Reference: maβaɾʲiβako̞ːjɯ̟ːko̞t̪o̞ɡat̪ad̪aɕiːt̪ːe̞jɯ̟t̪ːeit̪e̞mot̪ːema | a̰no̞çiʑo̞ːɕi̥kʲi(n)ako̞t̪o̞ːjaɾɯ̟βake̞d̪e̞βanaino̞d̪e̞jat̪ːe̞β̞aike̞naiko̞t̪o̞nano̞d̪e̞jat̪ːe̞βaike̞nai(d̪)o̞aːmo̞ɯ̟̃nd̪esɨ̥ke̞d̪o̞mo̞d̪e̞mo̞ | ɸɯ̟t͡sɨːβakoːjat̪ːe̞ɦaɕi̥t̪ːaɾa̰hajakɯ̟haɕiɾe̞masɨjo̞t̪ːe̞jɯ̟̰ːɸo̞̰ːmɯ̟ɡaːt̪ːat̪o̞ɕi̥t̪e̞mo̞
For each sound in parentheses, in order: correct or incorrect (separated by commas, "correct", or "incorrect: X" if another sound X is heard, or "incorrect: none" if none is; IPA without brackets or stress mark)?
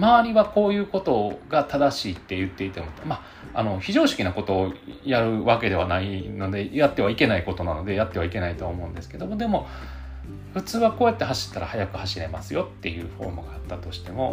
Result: correct, incorrect: t̪